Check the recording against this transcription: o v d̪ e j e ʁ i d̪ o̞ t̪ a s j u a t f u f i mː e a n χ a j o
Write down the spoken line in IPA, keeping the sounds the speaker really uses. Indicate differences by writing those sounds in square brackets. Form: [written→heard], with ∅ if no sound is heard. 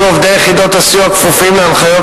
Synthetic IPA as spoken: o v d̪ e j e [ʁ→χ] i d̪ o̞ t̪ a s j u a [t→k] f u f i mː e a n χ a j o